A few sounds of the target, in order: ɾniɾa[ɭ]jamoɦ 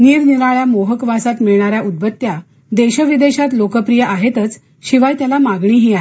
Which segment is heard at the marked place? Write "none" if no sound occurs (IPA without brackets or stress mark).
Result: ɭ